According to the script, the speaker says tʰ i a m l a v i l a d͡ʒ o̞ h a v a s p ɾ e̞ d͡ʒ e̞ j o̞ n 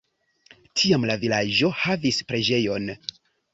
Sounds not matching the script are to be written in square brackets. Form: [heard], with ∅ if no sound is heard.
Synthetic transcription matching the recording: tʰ i a m l a v i l a d͡ʒ o̞ h a v [i] s p ɾ e̞ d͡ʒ e̞ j o̞ n